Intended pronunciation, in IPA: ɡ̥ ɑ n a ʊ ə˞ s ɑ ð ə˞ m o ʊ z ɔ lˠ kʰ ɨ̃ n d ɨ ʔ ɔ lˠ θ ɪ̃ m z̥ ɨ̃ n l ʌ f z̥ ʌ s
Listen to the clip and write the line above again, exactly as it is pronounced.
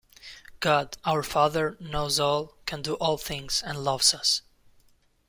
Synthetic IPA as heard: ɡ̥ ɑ d a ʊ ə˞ f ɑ ð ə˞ n o ʊ z ɔ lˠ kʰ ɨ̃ n d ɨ ʔ ɔ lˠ θ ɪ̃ ŋ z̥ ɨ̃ n l ʌ v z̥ ʌ s